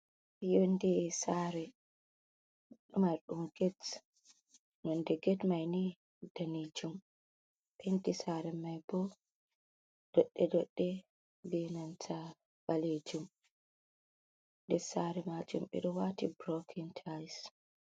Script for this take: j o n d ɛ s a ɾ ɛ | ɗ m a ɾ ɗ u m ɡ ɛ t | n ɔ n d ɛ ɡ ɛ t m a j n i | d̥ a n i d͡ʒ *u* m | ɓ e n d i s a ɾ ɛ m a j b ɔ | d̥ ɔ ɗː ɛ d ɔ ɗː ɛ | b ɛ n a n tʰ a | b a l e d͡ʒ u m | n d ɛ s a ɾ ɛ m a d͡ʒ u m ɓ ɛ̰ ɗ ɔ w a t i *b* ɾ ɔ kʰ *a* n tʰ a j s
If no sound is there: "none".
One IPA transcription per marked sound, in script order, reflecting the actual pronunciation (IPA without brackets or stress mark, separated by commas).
u, b, i